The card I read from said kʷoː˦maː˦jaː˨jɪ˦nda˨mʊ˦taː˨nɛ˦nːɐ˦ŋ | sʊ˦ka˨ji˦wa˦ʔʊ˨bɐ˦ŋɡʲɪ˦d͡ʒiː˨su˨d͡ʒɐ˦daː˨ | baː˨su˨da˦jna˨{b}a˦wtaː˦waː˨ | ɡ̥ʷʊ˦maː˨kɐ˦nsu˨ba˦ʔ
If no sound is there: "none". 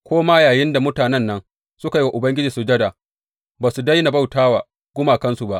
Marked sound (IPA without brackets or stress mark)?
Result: b